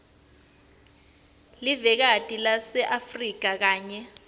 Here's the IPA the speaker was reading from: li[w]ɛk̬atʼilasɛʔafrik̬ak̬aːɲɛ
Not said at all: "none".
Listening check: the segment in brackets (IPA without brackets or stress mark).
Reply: v